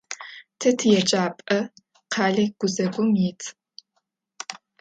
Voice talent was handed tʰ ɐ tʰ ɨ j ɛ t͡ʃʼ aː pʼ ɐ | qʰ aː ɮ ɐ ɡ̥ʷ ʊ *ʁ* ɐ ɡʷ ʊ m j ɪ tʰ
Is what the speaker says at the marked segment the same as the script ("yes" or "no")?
no